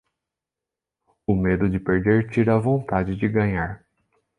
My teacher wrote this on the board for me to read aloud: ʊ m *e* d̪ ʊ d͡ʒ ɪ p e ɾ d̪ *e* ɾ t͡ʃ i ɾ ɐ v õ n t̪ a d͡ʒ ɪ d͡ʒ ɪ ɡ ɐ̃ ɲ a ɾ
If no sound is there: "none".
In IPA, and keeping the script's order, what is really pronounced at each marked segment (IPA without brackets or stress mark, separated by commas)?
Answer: e, e